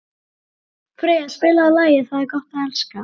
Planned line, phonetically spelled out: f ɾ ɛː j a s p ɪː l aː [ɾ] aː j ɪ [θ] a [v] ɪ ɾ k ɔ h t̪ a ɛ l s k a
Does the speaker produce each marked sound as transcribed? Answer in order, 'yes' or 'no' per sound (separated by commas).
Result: no, yes, no